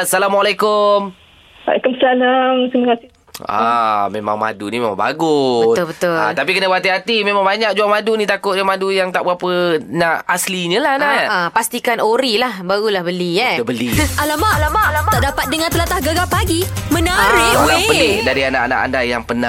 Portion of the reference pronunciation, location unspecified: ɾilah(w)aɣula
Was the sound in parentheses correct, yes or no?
no